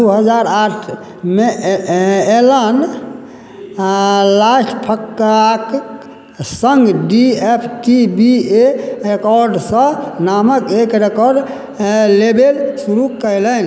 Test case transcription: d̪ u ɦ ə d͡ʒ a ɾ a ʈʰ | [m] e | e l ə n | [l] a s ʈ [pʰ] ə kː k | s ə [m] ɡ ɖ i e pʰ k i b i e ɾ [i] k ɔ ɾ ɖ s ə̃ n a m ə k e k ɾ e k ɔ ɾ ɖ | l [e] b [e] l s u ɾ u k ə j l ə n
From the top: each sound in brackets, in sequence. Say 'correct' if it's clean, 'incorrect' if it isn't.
correct, correct, correct, incorrect: ŋ, incorrect: e, correct, correct

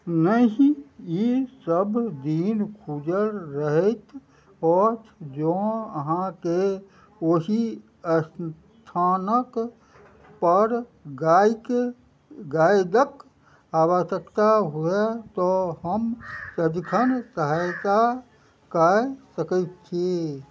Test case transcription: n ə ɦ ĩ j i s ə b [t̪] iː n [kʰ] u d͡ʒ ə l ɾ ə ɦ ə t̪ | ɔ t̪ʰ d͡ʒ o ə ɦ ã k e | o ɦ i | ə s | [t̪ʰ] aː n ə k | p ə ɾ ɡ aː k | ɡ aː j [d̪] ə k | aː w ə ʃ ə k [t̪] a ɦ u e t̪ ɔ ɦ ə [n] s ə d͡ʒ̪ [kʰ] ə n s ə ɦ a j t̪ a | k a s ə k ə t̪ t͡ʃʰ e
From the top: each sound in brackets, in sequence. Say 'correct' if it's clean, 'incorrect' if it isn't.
incorrect: d̪, correct, correct, correct, correct, incorrect: m, correct

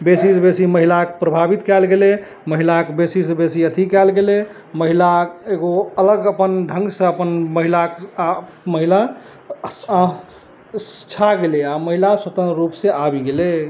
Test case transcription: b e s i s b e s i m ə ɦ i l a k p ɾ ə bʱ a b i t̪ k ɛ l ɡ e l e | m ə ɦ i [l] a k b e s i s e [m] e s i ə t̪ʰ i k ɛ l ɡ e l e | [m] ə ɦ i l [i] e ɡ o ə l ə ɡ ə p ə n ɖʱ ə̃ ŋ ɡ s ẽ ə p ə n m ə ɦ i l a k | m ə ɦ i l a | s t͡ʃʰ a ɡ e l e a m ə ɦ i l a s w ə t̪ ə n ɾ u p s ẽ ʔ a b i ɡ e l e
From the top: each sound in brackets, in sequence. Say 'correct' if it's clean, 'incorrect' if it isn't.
correct, incorrect: b, correct, incorrect: a

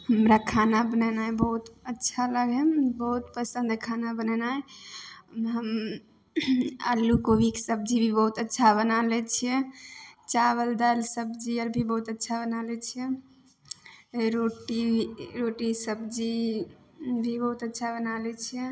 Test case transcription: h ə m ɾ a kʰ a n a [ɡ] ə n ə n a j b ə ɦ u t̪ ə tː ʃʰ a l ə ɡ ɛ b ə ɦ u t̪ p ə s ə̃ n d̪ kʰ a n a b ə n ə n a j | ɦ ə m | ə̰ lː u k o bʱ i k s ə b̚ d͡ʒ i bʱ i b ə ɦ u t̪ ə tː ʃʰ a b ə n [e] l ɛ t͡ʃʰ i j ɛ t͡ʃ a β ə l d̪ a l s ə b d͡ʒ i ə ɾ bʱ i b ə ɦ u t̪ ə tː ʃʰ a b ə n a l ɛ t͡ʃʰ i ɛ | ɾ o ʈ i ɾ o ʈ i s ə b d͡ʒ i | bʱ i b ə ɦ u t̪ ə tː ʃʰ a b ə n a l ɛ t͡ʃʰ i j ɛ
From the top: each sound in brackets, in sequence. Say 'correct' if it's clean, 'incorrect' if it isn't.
incorrect: b, incorrect: a

